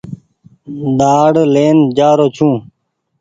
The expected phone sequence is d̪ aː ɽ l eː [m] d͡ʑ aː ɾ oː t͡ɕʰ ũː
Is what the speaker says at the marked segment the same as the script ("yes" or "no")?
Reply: no